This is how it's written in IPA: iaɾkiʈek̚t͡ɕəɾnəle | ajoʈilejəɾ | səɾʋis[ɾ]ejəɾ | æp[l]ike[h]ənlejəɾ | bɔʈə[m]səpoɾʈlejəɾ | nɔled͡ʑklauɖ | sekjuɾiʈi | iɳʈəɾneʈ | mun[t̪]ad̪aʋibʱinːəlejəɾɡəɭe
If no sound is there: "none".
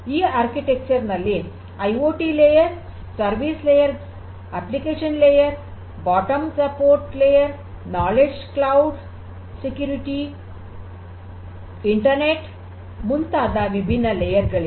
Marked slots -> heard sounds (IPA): l, l, ɕ, m, t̪

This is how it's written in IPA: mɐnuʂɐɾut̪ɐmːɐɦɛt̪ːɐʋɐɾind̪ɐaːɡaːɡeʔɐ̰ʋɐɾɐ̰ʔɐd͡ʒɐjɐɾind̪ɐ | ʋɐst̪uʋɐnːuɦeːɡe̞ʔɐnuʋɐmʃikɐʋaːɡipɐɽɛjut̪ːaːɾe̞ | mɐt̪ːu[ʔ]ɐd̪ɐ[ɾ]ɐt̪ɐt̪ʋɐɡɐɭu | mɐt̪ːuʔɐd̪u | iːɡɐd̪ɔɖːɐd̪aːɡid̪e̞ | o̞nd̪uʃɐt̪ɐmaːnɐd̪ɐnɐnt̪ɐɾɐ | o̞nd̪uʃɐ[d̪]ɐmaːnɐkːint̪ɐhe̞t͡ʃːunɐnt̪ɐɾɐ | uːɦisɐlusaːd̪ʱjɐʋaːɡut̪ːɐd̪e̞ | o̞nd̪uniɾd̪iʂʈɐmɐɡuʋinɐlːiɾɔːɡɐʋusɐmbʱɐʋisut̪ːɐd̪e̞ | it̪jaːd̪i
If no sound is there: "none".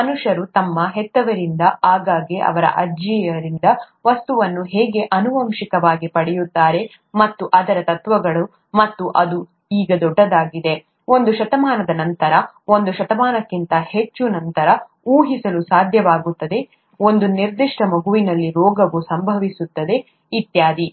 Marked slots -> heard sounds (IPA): ʔ, ɾ, t̪

